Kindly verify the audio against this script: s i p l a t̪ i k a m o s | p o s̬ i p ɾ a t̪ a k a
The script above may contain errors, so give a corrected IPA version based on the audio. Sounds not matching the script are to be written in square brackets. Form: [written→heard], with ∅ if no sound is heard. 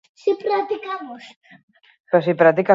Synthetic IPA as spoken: s i p [l→ɾ] a t̪ i k a m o s | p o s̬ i p ɾ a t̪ [a→i] k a